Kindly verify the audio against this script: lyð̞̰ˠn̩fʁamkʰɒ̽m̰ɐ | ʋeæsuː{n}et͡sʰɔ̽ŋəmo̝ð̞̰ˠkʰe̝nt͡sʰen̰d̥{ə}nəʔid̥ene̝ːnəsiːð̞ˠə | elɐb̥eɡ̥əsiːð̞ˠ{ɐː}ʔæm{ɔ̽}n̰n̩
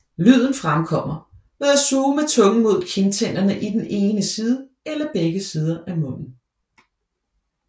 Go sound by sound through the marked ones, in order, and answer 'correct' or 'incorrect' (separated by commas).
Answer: incorrect, incorrect, incorrect, correct